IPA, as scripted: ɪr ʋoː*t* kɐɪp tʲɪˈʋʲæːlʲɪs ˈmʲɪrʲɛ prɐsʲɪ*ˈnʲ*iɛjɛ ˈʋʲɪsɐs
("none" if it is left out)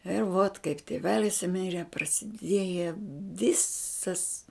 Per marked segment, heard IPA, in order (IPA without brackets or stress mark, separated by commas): t, dʲ